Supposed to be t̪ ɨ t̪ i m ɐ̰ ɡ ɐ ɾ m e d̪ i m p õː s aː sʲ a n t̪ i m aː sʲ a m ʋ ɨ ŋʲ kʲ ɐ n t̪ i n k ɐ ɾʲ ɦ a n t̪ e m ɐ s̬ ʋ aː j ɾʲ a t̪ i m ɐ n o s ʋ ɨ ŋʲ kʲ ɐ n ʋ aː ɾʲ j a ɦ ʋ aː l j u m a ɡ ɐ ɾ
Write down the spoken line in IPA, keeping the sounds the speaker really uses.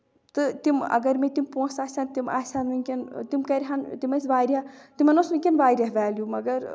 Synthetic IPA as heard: t̪ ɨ t̪ i m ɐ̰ ɡ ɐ ɾ m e t̪ i m p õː s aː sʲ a n t̪ i m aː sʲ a n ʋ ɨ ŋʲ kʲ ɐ n t̪ i m k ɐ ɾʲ ɦ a n t̪ i m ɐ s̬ ʋ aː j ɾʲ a t̪ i m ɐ n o s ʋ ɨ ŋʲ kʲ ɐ n ʋ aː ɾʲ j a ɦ ʋ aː l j u m ɐ ɡ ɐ ɾ